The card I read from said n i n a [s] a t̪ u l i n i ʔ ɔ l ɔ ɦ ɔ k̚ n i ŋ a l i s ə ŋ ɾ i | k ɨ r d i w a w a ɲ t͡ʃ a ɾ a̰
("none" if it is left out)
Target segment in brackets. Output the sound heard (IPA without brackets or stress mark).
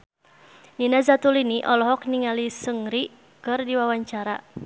z